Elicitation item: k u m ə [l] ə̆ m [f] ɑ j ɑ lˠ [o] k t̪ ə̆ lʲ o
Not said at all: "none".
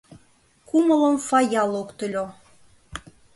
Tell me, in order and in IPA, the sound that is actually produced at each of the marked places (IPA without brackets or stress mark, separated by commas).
l, f, o